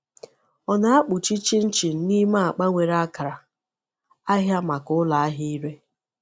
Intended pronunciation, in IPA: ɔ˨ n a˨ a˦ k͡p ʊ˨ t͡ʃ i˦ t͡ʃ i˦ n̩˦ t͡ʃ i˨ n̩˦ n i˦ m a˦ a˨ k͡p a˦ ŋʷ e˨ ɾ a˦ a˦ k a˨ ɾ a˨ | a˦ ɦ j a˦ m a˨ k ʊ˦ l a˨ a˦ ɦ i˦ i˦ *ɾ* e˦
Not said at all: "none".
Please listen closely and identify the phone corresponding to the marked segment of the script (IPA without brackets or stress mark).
ɾ